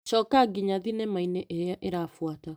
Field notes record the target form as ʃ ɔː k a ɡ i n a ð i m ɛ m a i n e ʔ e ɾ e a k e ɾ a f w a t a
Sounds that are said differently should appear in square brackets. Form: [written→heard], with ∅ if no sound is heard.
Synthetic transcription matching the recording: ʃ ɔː k a ɡ i [n→ɲ] a ð i [m→n] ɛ m a i n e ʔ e ɾ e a [k→ʔ] e ɾ a f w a t a